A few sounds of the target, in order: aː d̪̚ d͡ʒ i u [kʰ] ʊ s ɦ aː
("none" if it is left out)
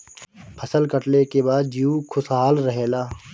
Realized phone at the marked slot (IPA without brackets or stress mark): kʰ